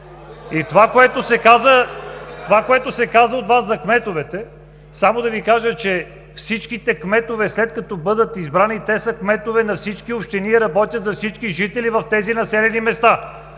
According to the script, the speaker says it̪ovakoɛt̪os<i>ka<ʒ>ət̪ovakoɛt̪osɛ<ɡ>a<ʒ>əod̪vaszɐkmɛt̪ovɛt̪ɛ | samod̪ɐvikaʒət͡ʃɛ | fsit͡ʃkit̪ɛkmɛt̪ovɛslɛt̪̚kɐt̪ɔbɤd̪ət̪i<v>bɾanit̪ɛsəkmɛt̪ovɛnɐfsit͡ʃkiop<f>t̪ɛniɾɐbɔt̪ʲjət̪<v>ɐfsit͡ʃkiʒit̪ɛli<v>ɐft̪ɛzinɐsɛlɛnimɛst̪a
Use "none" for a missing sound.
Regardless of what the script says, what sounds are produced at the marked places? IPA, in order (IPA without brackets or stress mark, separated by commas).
ɛ, z, k, z, z, ʃ, z, v